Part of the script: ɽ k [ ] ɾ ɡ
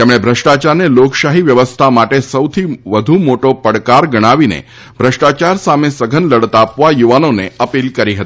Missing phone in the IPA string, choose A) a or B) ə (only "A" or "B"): A